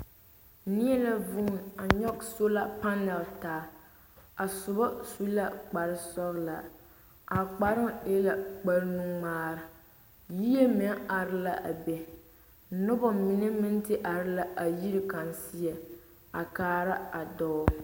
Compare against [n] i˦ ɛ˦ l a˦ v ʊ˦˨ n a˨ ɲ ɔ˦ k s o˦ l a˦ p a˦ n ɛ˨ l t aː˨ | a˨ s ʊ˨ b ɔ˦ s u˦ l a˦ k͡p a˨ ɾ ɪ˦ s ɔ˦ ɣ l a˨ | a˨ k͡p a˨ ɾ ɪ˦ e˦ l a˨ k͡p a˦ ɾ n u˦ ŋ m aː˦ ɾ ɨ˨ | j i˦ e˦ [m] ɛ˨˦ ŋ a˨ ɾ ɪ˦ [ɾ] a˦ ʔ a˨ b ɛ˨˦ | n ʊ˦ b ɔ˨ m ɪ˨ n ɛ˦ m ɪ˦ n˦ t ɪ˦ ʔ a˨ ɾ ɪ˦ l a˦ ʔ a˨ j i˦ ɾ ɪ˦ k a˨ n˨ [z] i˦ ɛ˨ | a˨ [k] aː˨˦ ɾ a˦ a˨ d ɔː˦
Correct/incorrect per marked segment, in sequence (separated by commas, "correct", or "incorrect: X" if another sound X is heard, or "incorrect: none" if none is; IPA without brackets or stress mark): correct, correct, incorrect: l, incorrect: s, correct